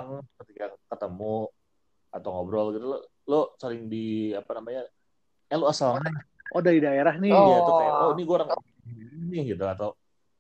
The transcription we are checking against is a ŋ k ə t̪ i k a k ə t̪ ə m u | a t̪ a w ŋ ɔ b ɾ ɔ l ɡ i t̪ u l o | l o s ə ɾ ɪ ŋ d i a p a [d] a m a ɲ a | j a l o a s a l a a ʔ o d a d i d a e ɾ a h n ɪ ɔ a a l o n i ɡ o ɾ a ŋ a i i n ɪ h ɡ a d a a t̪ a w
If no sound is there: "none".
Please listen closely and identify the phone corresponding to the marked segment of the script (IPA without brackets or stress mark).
n